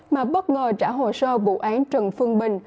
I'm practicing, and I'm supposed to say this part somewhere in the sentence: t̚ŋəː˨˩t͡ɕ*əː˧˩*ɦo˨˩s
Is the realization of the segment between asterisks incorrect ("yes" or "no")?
yes